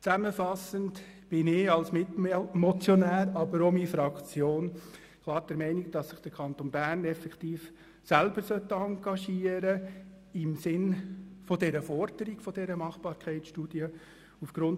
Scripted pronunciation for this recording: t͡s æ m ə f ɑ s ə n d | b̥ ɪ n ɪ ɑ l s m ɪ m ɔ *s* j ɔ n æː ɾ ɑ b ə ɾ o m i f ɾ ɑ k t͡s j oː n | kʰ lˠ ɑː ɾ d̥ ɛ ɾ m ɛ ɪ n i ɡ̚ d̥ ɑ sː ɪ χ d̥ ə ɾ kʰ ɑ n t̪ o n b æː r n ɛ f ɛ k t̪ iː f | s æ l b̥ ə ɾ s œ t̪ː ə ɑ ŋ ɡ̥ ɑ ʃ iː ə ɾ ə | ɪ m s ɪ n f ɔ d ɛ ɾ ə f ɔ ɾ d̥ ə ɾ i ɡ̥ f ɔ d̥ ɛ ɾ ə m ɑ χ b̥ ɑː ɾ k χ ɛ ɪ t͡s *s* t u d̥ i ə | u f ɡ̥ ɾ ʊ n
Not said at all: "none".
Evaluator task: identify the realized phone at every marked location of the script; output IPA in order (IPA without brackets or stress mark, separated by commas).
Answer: t͡s, ʃ